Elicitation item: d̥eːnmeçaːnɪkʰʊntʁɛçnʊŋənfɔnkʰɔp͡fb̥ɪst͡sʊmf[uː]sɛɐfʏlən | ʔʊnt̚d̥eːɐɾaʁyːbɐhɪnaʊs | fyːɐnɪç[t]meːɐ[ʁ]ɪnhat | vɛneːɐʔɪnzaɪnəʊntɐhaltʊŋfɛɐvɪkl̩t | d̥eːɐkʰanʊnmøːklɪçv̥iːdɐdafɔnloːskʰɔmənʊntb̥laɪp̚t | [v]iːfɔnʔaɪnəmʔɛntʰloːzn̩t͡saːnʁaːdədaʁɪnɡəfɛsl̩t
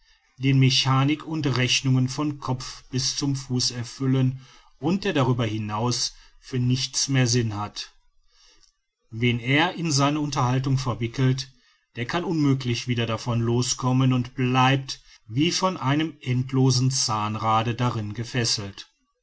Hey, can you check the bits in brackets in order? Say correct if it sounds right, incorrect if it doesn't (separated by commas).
correct, incorrect, incorrect, correct